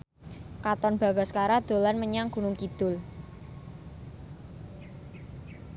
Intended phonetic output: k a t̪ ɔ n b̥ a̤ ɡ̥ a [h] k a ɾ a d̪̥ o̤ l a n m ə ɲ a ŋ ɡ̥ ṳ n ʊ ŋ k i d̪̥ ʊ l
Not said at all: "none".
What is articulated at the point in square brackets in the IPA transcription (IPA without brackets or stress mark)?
s